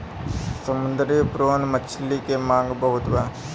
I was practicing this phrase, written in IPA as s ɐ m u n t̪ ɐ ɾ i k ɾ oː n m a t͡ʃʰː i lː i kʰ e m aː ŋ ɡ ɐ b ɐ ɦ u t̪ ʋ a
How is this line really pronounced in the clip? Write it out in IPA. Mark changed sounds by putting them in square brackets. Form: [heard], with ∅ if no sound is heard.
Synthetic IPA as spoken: s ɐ m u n [d̪] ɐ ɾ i [p] ɾ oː n m [ɐ] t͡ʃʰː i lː i [k] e m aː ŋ ɡ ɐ b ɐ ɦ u t̪ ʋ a